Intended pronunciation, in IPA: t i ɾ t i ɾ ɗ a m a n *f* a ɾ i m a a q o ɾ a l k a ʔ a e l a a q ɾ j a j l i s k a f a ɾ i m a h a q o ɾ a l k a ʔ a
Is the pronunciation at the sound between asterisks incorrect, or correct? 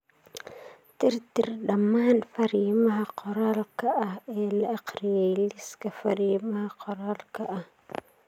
correct